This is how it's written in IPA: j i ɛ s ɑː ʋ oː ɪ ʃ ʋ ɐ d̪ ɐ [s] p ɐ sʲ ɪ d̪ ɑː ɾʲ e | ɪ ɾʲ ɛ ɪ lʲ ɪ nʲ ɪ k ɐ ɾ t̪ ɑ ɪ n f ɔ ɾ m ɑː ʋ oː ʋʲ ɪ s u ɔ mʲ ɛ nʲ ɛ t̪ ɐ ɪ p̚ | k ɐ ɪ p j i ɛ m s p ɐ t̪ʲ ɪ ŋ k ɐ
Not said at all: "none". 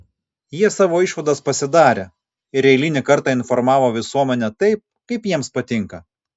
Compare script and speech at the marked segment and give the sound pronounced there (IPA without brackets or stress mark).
s